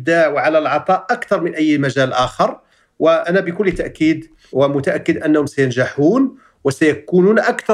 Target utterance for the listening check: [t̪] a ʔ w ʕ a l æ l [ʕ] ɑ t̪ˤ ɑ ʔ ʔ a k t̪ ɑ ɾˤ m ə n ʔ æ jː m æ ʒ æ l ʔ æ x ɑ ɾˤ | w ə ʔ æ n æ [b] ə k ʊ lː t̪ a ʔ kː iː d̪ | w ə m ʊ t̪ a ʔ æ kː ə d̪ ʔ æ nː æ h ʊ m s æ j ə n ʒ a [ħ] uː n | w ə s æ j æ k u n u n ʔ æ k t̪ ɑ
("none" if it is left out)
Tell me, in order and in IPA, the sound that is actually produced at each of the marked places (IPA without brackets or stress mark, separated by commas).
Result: d̪, ʕ, b, ħ